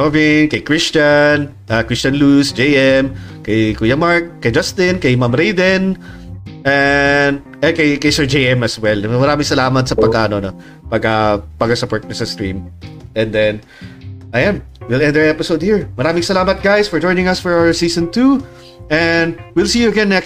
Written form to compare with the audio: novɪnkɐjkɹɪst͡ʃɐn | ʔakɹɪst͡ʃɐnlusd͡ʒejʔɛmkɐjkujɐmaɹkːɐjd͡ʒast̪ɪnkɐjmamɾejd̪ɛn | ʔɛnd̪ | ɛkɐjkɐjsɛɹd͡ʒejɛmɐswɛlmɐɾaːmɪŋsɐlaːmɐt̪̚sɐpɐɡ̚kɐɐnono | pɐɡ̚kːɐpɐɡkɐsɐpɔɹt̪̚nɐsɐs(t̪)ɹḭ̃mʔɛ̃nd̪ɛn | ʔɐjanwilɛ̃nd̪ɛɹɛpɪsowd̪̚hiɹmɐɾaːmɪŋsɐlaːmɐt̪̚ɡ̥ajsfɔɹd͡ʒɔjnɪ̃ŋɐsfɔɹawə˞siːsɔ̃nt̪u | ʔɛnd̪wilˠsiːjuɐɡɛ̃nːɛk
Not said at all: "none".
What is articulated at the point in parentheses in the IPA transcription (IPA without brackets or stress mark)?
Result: t̪